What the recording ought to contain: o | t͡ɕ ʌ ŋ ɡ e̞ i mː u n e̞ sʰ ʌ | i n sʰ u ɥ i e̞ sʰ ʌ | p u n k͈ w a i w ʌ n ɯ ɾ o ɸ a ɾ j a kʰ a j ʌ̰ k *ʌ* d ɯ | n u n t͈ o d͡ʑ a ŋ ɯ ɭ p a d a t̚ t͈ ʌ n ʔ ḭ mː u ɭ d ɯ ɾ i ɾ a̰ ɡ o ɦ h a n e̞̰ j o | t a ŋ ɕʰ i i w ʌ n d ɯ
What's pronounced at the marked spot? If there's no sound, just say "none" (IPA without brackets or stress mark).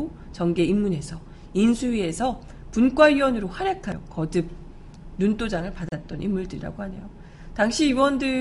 ʌ